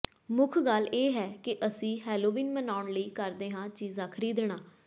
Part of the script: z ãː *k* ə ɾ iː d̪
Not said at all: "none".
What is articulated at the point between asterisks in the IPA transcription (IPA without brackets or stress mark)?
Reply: kʰ